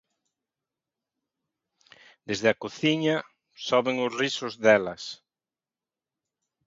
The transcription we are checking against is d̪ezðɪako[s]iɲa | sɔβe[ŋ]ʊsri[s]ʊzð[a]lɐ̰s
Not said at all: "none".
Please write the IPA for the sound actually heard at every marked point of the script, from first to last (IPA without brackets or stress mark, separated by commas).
θ, ŋ, s, ɛ